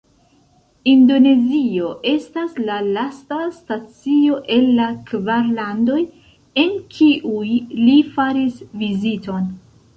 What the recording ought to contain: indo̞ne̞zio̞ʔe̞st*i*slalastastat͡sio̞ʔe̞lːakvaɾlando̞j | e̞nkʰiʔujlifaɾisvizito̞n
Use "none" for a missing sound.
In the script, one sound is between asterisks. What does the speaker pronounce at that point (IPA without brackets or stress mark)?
a